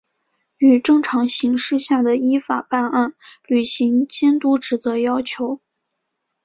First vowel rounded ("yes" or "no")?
yes